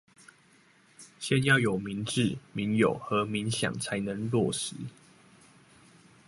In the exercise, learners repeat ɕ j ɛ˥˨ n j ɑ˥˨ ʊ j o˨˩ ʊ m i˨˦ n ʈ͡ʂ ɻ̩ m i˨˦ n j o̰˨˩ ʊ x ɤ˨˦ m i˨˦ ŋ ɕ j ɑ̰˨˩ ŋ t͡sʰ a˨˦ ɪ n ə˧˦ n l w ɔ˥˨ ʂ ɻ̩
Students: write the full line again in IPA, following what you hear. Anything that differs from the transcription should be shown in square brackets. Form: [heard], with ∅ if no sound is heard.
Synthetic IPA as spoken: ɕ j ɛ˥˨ n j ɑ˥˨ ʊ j o˨˩ ʊ m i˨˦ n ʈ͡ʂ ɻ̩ m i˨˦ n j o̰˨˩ ʊ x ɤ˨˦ m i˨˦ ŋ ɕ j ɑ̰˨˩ ŋ t͡sʰ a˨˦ ɪ n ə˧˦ [ŋ] l w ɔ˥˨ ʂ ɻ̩